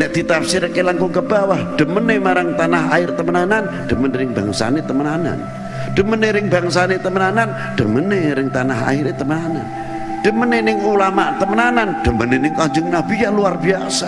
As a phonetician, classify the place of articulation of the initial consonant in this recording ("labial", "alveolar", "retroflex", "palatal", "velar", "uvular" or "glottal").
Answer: alveolar